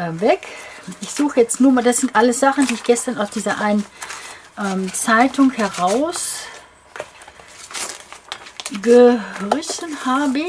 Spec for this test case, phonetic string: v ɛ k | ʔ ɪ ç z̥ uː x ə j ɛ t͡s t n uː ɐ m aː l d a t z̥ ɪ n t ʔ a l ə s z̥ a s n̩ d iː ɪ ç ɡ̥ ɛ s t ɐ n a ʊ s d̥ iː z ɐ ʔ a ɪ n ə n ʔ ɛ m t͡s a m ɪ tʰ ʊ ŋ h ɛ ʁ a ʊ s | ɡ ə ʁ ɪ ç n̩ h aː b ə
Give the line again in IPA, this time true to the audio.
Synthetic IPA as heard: v ɛ k | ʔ ɪ ç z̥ uː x ə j ɛ t͡s t n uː ɐ m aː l d a s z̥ ɪ n t ʔ a l ə s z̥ a χ n̩ d iː ɪ ç ɡ̥ ɛ s t ɐ n a ʊ s d̥ iː z ɐ ʔ a ɪ n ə n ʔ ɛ m t͡s a ɪ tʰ ʊ ŋ h ɛ ʁ a ʊ s | ɡ ə ʁ ɪ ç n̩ h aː b ə